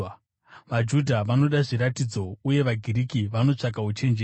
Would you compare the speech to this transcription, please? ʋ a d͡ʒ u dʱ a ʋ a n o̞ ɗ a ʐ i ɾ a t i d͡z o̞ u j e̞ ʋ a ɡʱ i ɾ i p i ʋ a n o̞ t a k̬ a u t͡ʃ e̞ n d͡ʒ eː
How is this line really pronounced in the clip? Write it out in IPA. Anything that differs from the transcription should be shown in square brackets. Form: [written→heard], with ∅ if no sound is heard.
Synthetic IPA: ʋ a d͡ʒ u dʱ a ʋ a n o̞ ɗ a ʐ i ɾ a t i d͡z o̞ u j e̞ ʋ a ɡʱ i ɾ i [p→k] i ʋ a n o̞ [t→t͡ʂ] a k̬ a u t͡ʃ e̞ n d͡ʒ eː